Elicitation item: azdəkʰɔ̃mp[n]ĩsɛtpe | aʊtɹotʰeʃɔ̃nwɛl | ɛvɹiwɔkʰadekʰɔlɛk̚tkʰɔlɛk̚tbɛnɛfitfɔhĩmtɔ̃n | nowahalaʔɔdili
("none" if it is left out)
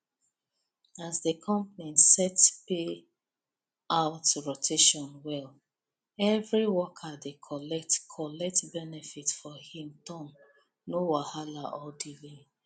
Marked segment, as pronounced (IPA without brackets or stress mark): n